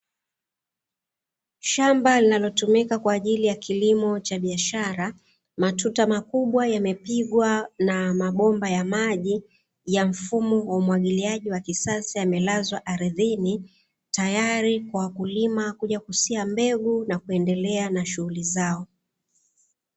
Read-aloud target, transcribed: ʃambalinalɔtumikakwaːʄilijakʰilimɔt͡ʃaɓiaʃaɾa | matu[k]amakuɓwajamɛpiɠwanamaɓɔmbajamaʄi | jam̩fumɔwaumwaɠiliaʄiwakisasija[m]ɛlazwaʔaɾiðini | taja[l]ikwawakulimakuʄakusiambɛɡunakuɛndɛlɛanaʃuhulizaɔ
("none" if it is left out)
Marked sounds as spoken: t, m, ɾ

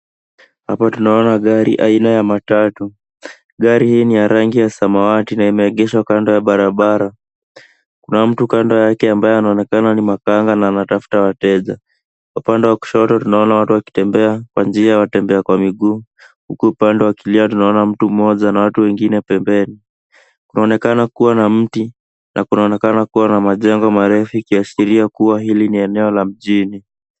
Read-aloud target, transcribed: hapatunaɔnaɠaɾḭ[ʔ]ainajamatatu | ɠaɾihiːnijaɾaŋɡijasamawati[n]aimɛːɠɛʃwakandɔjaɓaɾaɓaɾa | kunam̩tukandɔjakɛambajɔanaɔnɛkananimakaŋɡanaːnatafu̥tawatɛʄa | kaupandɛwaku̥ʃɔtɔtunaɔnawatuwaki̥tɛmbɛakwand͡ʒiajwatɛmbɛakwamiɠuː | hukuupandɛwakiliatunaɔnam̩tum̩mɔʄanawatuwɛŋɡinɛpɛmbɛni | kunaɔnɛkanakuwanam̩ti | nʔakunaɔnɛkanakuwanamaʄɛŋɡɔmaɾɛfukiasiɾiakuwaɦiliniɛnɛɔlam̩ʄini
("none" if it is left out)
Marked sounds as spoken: ʔ, n

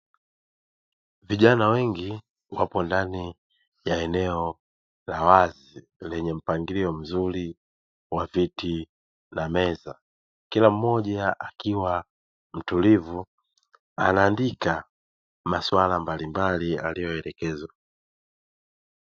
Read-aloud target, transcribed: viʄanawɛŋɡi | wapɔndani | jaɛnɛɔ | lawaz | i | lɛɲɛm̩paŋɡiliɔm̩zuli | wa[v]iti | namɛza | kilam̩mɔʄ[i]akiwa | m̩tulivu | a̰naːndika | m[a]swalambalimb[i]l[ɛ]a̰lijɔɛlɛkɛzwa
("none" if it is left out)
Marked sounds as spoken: v, a, a, a, i

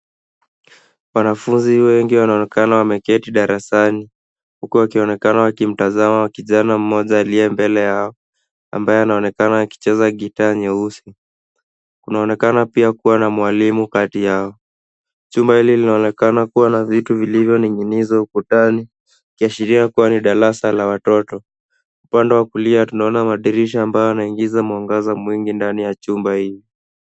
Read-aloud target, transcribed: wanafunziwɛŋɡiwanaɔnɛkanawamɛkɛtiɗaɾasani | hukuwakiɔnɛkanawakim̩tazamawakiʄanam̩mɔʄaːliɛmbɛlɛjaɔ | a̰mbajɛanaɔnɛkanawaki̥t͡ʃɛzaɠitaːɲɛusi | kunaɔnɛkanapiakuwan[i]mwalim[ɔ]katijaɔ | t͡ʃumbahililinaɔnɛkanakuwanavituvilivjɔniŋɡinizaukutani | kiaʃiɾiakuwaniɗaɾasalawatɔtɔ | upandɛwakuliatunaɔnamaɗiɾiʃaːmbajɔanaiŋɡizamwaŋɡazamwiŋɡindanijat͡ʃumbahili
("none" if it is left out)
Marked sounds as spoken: a, u

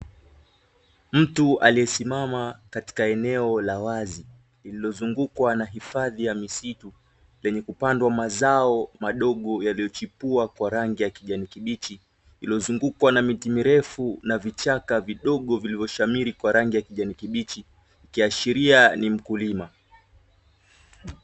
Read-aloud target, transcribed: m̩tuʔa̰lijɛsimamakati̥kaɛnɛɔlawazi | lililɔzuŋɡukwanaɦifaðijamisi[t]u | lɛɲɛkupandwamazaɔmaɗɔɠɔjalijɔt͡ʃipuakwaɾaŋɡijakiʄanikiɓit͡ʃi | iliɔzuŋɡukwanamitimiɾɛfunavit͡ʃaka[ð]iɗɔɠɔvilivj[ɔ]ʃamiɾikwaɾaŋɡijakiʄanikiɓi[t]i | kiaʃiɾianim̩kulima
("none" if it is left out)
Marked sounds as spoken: t, v, ɔ, t͡ʃ

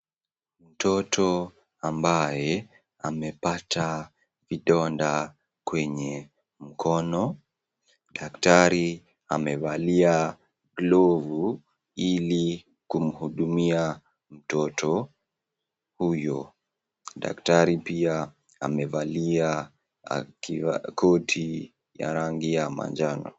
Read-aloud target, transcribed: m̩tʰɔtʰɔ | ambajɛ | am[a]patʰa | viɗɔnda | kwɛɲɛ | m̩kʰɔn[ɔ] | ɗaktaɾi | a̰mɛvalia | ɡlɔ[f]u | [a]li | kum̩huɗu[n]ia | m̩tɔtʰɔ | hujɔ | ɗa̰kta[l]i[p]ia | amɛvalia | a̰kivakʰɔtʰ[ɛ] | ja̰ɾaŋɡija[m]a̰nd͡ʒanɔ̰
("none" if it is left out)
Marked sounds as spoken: ɛ, ɔ, v, i, m, ɾ, p, i, m

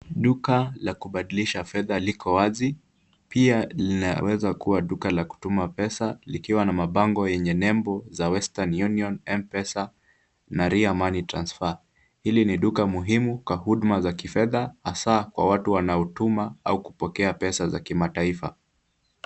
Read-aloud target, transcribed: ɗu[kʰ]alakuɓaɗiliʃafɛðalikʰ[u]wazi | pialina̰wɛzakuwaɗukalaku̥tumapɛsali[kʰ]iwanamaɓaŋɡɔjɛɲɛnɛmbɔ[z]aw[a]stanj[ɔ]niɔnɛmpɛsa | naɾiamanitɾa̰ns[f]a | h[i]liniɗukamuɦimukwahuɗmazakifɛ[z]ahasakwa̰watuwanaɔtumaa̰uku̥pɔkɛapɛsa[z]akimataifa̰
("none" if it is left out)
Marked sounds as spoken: k, ɔ, k, z, ɛ, u, f, i, ð, z

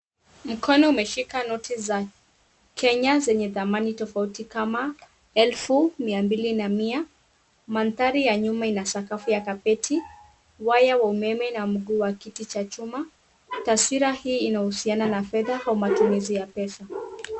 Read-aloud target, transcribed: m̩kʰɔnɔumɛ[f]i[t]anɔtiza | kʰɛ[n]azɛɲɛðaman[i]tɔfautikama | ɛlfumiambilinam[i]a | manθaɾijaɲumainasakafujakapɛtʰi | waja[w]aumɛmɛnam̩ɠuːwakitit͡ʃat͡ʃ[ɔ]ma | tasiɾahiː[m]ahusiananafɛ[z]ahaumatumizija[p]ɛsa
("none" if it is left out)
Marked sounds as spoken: ʃ, k, ɲ, i, i, w, u, n, ð, p

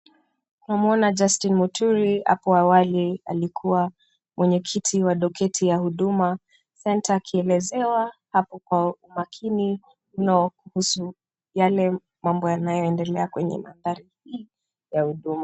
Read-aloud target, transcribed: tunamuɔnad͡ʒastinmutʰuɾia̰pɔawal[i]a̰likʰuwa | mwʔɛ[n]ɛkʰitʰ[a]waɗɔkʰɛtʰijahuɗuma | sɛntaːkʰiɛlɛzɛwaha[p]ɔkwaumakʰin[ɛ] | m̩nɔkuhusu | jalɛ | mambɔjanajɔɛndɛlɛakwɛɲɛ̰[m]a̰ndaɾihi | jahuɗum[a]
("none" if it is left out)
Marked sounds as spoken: i, ɲ, i, p, i, m, a

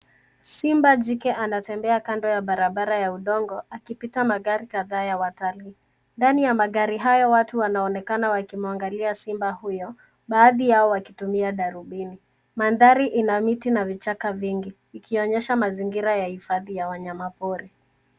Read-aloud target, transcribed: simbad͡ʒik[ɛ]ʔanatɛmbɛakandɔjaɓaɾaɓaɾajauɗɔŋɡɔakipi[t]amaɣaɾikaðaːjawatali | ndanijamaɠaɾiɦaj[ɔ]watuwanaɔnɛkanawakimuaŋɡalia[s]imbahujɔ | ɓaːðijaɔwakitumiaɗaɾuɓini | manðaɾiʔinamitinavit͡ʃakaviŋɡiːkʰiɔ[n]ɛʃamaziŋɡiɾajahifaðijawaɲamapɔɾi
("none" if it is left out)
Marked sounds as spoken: ɛ, t, ɔ, s, ɲ

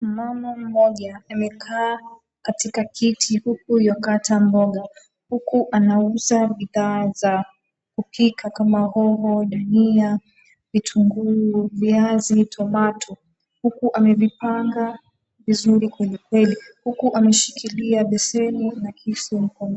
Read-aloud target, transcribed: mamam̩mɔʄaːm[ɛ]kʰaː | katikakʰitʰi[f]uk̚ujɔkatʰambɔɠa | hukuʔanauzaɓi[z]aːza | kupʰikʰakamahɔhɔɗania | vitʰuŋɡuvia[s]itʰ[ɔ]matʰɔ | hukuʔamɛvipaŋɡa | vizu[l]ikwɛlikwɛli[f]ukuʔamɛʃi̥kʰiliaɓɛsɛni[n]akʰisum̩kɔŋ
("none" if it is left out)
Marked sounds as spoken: ɛ, h, ð, z, ɔ, ɾ, h, n

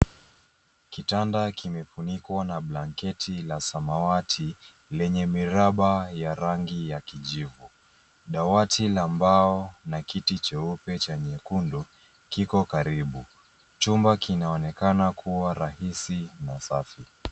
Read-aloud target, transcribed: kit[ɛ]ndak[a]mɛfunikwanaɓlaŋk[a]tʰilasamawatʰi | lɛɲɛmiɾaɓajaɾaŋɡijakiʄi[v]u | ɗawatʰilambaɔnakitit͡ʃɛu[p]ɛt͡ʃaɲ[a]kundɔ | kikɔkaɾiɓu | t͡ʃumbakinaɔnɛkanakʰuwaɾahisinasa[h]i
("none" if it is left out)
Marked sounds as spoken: a, i, ɛ, v, p, ɛ, f

